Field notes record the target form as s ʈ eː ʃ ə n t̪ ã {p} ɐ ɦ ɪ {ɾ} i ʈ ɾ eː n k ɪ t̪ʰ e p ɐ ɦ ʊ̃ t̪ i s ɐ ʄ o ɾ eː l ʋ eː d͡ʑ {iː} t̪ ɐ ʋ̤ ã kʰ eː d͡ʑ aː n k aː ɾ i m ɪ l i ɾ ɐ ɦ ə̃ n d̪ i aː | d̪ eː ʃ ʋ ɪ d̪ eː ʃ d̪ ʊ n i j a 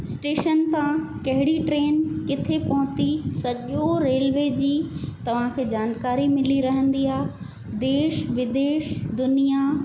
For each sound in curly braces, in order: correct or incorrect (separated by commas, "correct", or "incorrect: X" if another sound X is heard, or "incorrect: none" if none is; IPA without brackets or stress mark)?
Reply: incorrect: k, incorrect: ɽ, correct